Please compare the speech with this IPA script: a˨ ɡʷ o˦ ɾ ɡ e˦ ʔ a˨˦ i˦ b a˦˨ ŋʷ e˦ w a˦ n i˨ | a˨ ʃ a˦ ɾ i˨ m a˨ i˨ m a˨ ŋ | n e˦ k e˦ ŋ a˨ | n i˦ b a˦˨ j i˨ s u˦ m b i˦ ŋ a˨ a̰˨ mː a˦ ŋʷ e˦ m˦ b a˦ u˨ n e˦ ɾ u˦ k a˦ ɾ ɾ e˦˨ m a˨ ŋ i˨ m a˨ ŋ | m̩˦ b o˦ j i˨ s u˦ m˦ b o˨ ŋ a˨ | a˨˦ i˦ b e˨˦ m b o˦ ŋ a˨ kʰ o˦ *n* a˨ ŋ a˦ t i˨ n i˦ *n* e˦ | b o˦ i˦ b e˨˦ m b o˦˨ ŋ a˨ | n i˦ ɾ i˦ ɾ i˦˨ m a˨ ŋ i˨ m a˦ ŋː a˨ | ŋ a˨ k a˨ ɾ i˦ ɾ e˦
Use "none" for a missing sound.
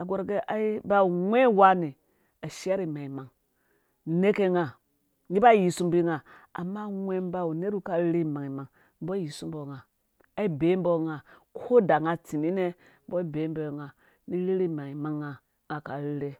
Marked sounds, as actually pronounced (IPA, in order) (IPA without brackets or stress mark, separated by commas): d, n